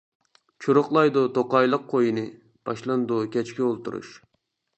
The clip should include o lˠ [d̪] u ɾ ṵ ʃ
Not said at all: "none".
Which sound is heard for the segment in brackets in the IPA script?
t̪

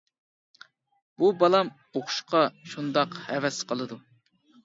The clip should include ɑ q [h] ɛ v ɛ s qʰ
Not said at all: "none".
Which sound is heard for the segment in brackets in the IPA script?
h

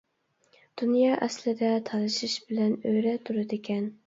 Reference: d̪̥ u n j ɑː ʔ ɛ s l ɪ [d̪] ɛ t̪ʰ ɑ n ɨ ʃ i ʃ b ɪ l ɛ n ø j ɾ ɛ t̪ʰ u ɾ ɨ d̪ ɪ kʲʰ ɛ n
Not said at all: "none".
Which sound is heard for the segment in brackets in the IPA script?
d̪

